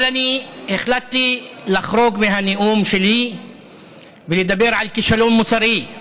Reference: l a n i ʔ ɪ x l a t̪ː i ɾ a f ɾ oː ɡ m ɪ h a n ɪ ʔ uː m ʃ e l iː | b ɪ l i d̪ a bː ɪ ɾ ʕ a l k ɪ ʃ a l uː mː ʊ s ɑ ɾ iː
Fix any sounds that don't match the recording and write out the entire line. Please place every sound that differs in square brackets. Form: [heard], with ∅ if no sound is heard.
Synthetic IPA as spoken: l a n i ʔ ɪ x l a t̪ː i [l] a [x] ɾ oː ɡ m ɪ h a n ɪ ʔ uː m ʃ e l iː | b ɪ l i d̪ a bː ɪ ɾ ʕ a l k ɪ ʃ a l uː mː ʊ s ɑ ɾ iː